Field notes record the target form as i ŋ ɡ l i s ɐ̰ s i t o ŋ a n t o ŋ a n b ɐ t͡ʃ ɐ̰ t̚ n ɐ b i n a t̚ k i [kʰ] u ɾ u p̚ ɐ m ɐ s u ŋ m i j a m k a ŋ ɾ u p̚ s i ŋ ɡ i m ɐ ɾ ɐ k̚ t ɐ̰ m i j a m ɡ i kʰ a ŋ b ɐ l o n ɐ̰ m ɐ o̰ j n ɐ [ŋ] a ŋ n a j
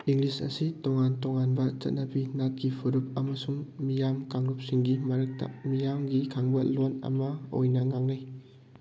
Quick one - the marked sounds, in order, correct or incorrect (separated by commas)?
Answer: incorrect, correct